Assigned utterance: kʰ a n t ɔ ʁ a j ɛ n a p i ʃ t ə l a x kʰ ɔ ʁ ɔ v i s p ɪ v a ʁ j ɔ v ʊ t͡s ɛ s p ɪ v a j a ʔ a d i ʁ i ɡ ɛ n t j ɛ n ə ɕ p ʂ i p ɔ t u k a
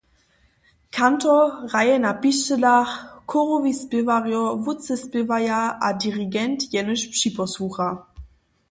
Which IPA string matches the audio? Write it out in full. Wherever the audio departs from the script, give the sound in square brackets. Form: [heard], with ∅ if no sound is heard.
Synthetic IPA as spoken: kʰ a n t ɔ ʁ a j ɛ n a p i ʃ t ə l a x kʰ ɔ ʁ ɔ v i s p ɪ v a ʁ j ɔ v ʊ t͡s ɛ s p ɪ v a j a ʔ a d i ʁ i ɡ ɛ n t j ɛ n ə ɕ p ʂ i p ɔ [s] u [x] a